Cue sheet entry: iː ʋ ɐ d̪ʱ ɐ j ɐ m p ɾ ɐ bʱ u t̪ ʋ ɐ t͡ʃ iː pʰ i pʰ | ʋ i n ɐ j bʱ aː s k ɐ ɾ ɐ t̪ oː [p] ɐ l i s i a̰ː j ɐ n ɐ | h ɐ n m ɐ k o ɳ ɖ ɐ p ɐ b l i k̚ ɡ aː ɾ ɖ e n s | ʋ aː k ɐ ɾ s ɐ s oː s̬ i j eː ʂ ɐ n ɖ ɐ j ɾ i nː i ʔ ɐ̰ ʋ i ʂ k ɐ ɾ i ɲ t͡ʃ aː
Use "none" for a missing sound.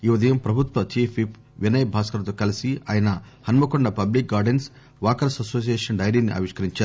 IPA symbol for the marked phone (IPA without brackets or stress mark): k